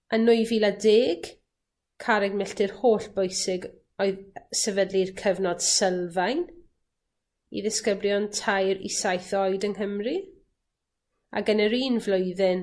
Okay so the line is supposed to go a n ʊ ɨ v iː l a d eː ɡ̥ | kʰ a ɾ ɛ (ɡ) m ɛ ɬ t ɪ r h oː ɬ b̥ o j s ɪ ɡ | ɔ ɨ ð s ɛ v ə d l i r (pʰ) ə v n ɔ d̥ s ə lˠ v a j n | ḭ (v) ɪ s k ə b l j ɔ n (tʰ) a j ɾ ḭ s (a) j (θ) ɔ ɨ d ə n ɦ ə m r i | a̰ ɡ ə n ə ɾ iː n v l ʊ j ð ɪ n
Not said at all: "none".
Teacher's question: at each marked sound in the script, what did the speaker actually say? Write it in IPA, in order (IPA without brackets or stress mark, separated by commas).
ɡ, kʰ, ð, tʰ, a, θ